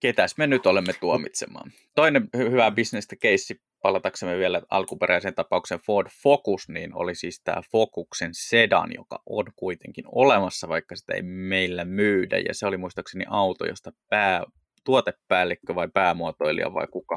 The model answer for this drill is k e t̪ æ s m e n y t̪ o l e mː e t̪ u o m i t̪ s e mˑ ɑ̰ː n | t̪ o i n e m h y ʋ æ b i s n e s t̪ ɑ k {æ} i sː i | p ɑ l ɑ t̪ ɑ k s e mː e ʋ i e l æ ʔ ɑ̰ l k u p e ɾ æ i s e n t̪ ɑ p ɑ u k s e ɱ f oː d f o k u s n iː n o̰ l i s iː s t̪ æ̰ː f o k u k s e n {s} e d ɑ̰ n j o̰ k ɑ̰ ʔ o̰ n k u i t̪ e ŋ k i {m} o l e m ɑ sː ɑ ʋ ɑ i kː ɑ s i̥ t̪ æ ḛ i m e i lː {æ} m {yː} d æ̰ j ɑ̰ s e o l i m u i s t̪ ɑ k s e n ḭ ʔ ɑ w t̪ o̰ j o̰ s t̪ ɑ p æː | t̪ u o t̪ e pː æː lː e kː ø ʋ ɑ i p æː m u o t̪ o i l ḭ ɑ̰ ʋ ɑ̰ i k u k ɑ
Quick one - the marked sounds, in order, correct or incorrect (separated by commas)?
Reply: incorrect, correct, incorrect, correct, correct